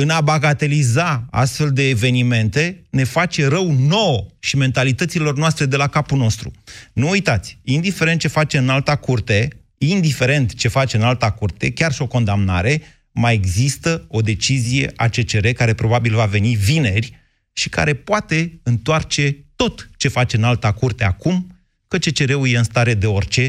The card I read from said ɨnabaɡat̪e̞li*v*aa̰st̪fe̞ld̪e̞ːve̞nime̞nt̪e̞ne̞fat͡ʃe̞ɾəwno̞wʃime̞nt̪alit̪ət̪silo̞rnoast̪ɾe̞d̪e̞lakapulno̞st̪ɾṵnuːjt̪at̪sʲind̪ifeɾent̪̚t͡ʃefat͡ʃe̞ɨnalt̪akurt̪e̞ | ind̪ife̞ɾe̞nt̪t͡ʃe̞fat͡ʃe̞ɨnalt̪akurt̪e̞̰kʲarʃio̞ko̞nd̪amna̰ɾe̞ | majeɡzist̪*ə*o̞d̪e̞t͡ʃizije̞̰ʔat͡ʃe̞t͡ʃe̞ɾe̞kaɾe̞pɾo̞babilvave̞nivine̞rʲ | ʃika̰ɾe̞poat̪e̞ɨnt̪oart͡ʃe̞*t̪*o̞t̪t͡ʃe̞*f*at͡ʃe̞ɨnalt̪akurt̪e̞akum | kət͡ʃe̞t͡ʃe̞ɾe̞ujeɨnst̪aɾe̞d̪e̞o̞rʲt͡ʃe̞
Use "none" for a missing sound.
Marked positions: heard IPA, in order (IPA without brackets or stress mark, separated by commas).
z, ə, t̪, f